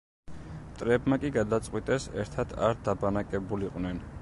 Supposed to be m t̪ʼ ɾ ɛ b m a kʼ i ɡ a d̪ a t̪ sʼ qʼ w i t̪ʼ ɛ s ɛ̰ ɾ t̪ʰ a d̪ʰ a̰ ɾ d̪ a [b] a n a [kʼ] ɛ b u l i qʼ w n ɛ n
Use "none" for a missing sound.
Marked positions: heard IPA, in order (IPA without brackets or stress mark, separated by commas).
b, kʼ